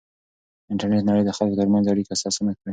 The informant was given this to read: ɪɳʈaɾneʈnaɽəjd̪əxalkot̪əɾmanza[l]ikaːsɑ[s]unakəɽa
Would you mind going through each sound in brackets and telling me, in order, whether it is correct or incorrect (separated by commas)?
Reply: incorrect, correct